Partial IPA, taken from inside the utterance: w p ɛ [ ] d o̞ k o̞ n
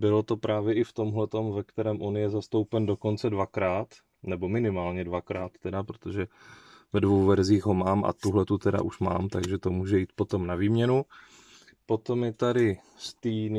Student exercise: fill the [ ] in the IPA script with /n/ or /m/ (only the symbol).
n